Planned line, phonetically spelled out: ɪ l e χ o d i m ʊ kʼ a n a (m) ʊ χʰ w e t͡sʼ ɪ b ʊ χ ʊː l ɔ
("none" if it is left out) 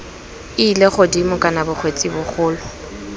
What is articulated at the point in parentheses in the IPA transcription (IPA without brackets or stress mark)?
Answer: b